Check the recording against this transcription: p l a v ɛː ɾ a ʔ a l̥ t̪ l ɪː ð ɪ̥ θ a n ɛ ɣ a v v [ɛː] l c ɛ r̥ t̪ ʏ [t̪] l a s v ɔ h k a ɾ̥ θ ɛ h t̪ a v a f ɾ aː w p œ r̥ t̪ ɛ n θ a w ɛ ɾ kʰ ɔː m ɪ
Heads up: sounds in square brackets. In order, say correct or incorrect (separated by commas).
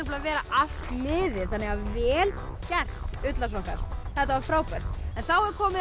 correct, correct